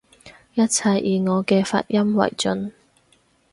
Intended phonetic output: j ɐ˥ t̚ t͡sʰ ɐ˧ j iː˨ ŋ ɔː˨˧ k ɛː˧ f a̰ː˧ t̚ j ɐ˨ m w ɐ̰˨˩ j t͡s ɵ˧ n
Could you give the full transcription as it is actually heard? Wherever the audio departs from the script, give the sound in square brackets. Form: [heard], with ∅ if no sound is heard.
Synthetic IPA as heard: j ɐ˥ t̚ t͡sʰ ɐ˧ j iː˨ ŋ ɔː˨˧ k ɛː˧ f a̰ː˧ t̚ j [ɐ˥] m w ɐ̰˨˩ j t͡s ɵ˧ n